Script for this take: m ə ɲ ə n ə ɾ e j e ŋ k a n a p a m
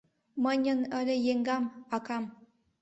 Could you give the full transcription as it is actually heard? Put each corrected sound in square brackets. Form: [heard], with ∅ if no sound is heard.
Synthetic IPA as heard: m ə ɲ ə n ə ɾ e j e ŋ [ɡ] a [m] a [k] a m